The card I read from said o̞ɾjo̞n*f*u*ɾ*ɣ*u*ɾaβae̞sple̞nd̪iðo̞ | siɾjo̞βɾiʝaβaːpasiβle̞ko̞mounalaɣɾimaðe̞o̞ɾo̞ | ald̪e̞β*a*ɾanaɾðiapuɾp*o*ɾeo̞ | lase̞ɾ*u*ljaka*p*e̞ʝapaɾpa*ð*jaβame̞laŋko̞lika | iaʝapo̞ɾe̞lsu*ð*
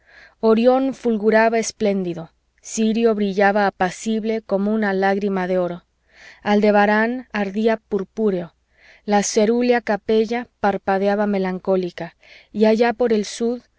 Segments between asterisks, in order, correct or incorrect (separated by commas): correct, incorrect, correct, correct, incorrect, correct, correct, correct, correct